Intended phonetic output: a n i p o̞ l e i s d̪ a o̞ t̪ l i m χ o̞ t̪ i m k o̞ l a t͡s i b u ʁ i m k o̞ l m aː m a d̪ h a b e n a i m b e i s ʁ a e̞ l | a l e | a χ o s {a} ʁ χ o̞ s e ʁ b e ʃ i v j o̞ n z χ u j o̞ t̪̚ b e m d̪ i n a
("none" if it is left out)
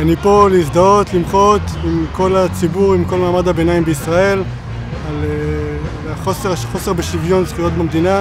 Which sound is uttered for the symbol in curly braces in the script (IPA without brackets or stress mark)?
e